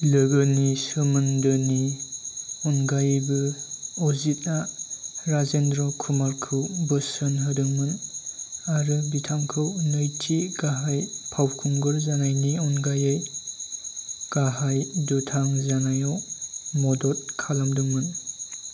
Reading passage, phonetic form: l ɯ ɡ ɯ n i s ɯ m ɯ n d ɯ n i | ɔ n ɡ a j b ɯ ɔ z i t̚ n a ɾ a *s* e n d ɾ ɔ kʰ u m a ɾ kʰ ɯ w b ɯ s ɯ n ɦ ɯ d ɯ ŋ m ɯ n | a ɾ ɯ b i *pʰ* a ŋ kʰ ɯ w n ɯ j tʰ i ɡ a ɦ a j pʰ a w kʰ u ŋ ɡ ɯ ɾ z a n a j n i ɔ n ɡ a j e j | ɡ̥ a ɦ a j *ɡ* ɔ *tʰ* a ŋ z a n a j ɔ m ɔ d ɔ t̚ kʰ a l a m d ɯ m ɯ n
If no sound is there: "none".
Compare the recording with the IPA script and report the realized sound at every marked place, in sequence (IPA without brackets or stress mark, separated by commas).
z, tʰ, d, tʰ